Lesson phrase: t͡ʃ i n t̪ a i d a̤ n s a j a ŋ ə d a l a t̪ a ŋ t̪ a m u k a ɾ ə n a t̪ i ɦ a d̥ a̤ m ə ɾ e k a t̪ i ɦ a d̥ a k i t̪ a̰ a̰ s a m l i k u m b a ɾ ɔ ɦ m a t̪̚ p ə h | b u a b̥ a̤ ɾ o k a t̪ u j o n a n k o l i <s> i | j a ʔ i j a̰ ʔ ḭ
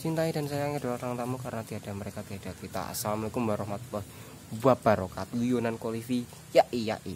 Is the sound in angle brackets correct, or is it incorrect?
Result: incorrect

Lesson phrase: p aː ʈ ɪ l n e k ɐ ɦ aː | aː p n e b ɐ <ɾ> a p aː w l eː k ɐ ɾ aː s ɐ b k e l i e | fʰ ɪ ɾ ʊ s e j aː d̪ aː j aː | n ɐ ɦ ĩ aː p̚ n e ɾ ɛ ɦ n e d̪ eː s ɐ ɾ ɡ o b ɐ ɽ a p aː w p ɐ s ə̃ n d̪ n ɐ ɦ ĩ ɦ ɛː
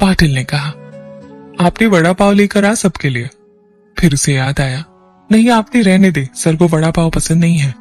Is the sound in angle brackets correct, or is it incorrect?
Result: incorrect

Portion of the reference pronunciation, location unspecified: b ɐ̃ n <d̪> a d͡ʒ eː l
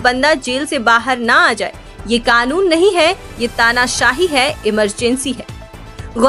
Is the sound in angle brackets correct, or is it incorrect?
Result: correct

